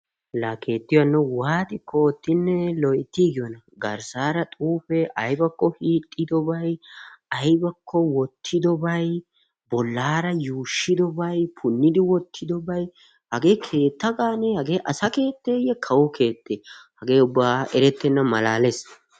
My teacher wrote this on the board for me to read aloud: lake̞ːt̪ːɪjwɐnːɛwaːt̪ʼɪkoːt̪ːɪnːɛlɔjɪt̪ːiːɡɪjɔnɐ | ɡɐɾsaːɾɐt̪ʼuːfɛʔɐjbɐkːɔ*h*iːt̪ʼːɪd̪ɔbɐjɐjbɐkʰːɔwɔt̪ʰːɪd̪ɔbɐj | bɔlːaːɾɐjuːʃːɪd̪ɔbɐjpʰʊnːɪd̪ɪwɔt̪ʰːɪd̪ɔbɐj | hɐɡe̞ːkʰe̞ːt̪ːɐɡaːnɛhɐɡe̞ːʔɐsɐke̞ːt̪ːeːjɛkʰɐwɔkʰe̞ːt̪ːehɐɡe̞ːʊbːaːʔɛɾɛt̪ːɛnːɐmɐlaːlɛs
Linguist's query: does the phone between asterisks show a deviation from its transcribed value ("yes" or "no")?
no